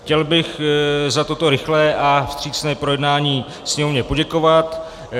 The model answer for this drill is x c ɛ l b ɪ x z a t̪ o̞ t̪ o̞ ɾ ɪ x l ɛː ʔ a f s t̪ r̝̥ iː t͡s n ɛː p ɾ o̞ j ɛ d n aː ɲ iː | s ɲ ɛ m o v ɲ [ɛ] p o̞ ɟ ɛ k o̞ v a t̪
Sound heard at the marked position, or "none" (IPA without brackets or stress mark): ɛ